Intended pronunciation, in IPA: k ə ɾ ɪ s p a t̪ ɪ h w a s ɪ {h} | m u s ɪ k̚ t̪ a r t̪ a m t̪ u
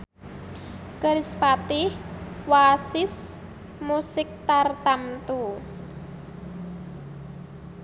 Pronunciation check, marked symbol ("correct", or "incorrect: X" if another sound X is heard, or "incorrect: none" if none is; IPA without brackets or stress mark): incorrect: s